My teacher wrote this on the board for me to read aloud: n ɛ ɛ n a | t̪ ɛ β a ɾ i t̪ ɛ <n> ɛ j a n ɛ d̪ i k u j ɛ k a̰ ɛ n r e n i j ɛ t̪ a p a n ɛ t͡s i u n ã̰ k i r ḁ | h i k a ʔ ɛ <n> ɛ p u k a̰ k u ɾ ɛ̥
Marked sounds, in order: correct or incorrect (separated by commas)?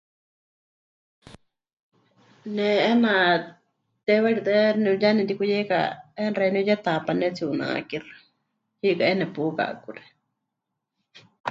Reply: correct, correct